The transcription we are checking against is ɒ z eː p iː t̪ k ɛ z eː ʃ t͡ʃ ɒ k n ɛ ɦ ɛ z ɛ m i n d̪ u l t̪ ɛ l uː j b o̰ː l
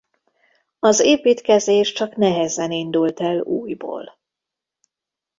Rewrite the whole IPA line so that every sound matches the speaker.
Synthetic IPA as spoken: ɒ z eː p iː t̪ k ɛ z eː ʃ t͡ʃ ɒ k n ɛ ɦ ɛ z ɛ n i n d̪ u l t̪ ɛ l uː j b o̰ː l